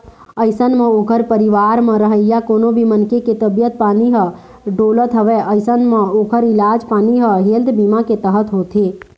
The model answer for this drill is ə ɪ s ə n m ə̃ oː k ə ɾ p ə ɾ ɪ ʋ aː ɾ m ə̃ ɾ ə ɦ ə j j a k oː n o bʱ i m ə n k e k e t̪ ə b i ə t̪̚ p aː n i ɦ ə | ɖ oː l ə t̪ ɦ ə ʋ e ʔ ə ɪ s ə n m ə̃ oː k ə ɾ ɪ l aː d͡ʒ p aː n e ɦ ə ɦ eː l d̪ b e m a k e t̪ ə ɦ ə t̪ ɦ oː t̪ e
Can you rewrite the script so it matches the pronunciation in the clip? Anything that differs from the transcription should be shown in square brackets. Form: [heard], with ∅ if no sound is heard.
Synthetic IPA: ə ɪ s ə n m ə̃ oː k ə ɾ p ə ɾ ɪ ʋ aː ɾ m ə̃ ɾ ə ɦ ə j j a k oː n o bʱ i m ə n k e k e t̪ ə b [j] ə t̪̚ p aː n i ɦ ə | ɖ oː l ə t̪ ɦ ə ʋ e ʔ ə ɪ s ə n m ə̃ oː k ə ɾ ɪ l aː d͡ʒ p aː n [i] ɦ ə ɦ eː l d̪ b [i] m a k e t̪ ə ɦ ə t̪ ɦ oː t̪ e

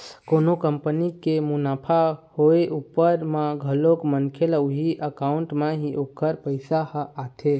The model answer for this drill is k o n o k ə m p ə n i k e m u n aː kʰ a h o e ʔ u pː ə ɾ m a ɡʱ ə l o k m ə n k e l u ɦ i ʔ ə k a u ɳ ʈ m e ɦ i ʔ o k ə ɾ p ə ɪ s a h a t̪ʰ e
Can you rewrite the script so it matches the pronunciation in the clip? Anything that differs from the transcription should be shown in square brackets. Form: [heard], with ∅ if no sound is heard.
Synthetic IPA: k o n o k ə m p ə n i k e m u n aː [pʰ] a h o e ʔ u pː ə ɾ m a ɡʱ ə l o k m ə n [kʰ] e l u ɦ i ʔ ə k a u ɳ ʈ m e ɦ i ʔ o k ə ɾ p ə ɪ s a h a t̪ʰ e

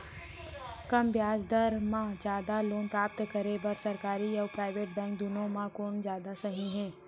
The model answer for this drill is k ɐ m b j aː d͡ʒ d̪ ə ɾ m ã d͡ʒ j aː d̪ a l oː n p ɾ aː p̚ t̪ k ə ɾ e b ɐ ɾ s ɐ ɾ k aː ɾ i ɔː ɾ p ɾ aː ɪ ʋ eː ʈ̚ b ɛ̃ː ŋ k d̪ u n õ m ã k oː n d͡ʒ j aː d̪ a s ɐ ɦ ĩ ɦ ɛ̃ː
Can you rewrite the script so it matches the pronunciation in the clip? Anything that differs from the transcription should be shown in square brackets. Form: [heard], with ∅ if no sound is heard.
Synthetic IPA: k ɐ m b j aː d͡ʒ d̪ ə ɾ m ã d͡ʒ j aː d̪ a l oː n p ɾ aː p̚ t̪ k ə ɾ e b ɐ ɾ s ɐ ɾ k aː ɾ i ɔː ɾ p ɾ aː ɪ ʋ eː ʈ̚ b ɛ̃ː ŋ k d̪ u n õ m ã k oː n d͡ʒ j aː d̪ a s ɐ ɦ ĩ ɦ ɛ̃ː

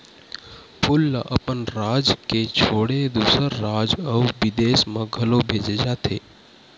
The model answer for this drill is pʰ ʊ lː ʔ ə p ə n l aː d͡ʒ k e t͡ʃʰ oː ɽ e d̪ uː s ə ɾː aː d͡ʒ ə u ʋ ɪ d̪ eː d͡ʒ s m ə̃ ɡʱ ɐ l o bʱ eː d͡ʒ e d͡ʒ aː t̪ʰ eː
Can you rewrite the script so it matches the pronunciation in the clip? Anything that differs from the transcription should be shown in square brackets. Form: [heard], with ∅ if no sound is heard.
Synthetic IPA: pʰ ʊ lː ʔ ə p ə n [ɾ] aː d͡ʒ k e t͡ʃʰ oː ɽ e d̪ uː s ə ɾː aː d͡ʒ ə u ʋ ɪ d̪ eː [∅] s m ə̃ ɡʱ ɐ l o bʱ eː d͡ʒ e d͡ʒ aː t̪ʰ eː

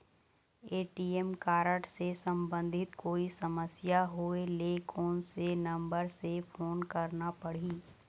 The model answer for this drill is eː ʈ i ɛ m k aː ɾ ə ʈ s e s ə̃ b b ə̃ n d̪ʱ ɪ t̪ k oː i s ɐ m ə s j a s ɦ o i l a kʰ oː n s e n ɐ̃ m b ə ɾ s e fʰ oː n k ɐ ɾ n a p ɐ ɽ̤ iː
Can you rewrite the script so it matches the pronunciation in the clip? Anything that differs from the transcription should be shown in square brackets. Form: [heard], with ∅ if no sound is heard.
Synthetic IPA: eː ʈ i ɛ m k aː ɾ ə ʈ s e s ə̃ [m] b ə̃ n d̪ʱ ɪ t̪ k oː i s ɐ m ə s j a [∅] ɦ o [e] l [e] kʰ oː n s e n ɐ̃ m b ə ɾ s e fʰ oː n k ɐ ɾ n a p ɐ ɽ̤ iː

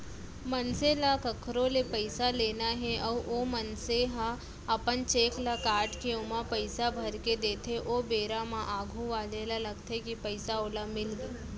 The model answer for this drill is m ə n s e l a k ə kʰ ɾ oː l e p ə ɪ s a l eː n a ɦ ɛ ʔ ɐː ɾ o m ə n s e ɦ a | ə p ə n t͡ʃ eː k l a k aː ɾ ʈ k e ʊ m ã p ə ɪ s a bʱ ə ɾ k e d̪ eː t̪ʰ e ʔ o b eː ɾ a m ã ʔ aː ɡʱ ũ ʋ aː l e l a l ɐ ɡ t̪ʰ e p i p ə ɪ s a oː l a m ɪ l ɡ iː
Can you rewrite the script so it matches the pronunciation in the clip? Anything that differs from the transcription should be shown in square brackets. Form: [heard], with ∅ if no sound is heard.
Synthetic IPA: m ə n s e l a k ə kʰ ɾ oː l e p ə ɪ s a l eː n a ɦ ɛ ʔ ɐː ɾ o m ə n s e ɦ a | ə p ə n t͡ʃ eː k l a k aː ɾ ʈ k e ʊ m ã p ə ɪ s a bʱ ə ɾ k e d̪ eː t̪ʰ e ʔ o b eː ɾ a m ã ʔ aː ɡʱ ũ ʋ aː l e l a l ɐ ɡ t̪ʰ e [k] i p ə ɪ s a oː l a m ɪ l ɡ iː

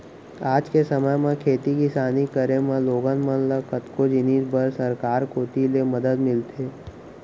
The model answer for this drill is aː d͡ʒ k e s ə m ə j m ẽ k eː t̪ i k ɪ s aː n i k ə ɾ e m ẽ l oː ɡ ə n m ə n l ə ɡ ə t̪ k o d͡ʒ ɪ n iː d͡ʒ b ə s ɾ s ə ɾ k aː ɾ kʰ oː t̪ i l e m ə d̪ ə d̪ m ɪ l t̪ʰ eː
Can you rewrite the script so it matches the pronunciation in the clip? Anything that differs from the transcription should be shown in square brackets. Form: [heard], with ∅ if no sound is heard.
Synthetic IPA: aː d͡ʒ k e s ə m ə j m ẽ [kʰ] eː t̪ i k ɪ s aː n i k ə ɾ e m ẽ l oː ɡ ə n m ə n l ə [k] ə t̪ k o d͡ʒ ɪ n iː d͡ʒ b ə [∅] ɾ s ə ɾ k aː ɾ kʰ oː t̪ i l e m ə d̪ ə d̪ m ɪ l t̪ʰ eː

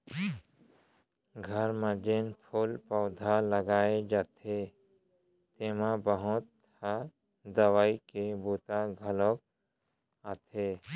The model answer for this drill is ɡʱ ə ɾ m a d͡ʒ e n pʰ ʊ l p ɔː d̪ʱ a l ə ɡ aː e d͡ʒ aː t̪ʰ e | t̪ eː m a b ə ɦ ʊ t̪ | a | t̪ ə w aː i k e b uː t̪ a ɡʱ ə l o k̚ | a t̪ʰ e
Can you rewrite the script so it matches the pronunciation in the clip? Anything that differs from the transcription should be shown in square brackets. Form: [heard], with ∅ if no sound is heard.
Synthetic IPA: ɡʱ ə ɾ m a d͡ʒ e n pʰ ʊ l p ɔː d̪ʱ a l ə ɡ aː e d͡ʒ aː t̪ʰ e | t̪ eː m a b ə ɦ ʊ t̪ | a | [d̪] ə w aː i k e b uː t̪ a ɡʱ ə l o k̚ | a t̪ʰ e

